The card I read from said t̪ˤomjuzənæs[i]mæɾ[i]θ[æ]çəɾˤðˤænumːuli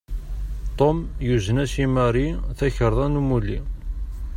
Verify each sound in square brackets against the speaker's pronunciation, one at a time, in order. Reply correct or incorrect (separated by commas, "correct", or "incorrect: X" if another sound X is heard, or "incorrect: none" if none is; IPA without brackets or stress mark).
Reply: correct, correct, correct